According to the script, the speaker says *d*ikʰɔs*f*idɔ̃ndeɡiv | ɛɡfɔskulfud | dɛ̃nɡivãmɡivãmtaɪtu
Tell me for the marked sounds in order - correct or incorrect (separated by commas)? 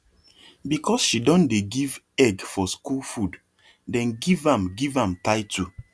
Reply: incorrect, incorrect